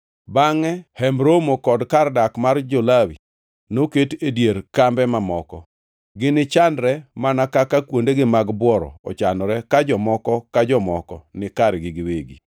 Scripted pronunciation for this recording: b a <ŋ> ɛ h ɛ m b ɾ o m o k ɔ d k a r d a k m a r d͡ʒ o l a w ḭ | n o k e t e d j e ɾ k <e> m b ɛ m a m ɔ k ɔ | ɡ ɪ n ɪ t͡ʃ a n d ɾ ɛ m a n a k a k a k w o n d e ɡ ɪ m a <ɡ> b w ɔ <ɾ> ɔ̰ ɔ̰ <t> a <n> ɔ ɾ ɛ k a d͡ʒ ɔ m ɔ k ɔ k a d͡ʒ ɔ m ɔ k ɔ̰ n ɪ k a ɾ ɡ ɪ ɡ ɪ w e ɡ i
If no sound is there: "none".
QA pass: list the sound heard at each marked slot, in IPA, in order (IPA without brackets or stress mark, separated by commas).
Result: ŋ, a, ɡ, ɾ, t͡ʃ, n